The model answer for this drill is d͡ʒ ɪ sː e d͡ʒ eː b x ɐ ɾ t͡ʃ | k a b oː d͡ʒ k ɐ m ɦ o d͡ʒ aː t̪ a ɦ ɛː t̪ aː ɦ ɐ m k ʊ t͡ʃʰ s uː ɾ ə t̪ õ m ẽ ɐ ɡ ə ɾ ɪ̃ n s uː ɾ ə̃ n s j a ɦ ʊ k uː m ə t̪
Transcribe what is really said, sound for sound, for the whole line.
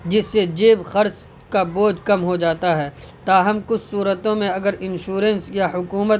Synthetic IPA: d͡ʒ ɪ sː e d͡ʒ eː b x ɐ ɾ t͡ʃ | k a b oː d͡ʒ k ɐ m ɦ o d͡ʒ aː t̪ a ɦ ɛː t̪ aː ɦ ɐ m k ʊ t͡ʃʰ s uː ɾ ə t̪ õ m ẽ ɐ ɡ ə ɾ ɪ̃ n ʃ uː ɾ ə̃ n s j a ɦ ʊ k uː m ə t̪